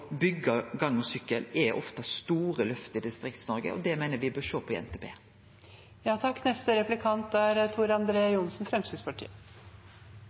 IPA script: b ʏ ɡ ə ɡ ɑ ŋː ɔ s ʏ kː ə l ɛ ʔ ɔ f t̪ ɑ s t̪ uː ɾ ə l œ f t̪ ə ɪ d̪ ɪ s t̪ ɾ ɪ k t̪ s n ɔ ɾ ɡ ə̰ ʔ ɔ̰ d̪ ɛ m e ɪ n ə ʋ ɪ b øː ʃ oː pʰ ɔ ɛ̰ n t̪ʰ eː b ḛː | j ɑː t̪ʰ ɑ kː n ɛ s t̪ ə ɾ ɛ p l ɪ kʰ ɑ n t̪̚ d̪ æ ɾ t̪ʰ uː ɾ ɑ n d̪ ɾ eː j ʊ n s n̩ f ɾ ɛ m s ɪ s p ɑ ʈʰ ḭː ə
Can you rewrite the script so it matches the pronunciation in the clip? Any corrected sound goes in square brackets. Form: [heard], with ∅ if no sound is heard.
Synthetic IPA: b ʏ ɡ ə ɡ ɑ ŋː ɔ s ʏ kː ə l ɛ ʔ ɔ f t̪ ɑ s t̪ uː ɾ ə l œ f t̪ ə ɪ d̪ ɪ s t̪ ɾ ɪ k t̪ s n ɔ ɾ ɡ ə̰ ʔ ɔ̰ d̪ ɛ m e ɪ n ə ʋ ɪ b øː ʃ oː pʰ ɔ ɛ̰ n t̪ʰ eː b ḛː | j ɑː t̪ʰ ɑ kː n ɛ s t̪ ə ɾ ɛ p l ɪ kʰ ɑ n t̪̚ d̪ æ ɾ t̪ʰ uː ɾ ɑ n d̪ ɾ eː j ʊ n s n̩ f ɾ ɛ m s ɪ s p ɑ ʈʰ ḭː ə